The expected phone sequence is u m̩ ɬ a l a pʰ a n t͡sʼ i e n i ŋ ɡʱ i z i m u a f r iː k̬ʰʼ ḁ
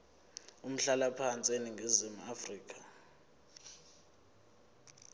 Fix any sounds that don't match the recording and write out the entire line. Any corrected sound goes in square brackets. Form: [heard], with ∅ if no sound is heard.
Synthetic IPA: u m̩ ɬ a l a pʰ a n t͡sʼ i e n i ŋ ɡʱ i z i m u a f r iː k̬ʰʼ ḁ